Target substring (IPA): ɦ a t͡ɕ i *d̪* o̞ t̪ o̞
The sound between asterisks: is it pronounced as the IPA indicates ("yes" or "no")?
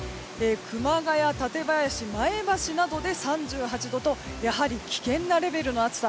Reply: yes